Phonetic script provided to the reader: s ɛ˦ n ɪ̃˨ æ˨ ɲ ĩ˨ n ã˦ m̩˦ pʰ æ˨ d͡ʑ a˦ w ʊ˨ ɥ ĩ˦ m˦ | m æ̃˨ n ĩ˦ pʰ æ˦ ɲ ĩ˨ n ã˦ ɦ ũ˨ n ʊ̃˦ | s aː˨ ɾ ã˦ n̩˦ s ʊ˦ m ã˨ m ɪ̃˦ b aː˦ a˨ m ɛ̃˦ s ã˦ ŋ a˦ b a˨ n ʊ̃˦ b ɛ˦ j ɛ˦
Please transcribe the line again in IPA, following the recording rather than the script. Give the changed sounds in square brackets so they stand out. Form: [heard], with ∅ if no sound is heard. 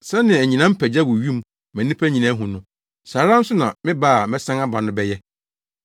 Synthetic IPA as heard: s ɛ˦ n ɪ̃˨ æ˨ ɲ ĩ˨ n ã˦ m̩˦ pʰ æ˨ d͡ʑ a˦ w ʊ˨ ɥ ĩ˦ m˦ | m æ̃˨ n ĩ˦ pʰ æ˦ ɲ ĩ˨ n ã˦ ɦ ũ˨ n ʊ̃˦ | s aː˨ ɾ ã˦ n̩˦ s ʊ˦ [n] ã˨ m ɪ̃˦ b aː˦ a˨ m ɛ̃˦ s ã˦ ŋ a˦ b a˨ n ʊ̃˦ b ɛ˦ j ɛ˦

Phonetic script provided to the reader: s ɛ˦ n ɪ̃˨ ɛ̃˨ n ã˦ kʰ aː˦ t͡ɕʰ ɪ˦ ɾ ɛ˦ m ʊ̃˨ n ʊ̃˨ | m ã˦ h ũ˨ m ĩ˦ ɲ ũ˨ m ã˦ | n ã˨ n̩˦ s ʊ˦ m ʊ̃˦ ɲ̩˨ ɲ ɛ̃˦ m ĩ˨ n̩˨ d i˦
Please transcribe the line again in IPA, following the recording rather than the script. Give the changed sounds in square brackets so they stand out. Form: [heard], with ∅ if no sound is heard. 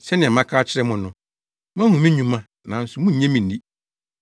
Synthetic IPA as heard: s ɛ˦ n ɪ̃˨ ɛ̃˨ [m] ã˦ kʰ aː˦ t͡ɕʰ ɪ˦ ɾ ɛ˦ m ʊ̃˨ n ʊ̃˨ | m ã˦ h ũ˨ m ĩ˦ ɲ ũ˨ m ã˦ | n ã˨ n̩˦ s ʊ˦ m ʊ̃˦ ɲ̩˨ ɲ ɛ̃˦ m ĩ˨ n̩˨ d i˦

